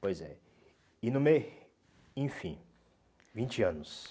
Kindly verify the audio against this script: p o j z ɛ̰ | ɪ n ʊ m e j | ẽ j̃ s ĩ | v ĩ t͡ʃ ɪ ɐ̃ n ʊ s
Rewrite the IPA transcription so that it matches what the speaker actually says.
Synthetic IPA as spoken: p o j z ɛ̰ | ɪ n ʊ m e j | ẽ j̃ f ĩ | v ĩ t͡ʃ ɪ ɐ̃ n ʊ s